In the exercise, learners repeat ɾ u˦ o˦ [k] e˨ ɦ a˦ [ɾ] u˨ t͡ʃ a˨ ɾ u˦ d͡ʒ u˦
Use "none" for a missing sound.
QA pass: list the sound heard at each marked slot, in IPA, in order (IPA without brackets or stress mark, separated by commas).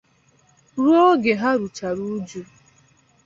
ɡ, ɾ